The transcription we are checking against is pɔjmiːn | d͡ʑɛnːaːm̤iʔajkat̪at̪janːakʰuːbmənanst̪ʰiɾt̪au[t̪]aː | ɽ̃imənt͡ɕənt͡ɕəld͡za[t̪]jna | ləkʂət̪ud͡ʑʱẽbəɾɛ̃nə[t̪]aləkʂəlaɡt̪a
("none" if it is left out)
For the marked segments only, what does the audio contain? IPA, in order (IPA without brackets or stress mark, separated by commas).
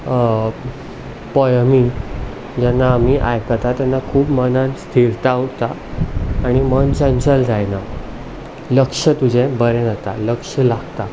t̪, none, t̪